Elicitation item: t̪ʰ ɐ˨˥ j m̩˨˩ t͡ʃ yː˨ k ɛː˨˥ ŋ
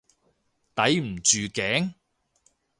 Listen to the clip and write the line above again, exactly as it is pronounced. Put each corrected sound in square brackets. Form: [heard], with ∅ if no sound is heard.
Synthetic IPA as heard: [t̪] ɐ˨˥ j m̩˨˩ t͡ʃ yː˨ k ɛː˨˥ ŋ